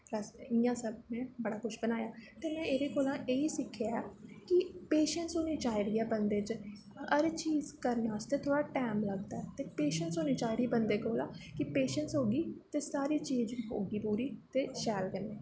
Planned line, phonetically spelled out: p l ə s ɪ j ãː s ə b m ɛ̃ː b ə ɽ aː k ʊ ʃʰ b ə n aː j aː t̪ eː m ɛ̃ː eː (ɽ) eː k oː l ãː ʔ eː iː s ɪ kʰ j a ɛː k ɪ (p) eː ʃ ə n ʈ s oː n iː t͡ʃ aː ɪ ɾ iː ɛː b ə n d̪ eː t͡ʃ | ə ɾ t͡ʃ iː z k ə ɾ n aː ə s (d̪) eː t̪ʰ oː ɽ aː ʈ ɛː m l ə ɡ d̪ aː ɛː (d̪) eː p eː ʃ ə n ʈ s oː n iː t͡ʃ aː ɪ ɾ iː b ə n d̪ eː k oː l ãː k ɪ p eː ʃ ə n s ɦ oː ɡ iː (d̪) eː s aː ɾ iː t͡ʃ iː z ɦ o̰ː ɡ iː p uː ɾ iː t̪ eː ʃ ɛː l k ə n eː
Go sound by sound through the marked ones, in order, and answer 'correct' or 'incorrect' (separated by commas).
incorrect, correct, incorrect, incorrect, incorrect